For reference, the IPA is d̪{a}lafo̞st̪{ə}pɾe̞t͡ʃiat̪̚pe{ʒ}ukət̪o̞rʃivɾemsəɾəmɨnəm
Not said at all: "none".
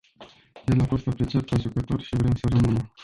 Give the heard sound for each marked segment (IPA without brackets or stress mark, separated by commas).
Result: e, a, ʒ